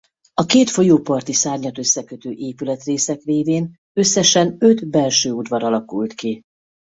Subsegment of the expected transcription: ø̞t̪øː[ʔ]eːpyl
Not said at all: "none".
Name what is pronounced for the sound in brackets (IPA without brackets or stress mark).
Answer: ʔ